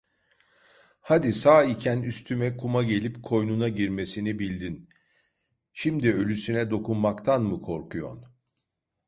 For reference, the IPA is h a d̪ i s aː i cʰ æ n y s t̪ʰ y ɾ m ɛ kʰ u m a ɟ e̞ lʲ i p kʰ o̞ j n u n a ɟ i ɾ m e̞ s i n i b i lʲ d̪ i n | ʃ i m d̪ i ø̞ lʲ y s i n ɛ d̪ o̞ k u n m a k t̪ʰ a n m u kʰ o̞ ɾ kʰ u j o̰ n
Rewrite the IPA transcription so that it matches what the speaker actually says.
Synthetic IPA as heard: h a d̪ i s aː i cʰ æ n y s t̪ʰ y m ɛ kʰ u m a ɟ e̞ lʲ i p kʰ o̞ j n u n a ɟ i ɾ m e̞ s i n i b i lʲ d̪ i n | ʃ i m d̪ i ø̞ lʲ y s y n ɛ d̪ o̞ k u n m a k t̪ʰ a n m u kʰ o̞ ɾ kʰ u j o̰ n